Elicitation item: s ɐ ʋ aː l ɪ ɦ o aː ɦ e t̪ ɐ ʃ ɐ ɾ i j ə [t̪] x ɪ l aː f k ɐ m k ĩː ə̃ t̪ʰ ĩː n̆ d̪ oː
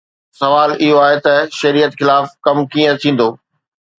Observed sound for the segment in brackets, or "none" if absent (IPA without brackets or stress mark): t̪